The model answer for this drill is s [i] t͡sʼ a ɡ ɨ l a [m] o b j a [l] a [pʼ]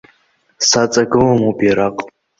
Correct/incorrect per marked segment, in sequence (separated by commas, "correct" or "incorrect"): incorrect, correct, incorrect, incorrect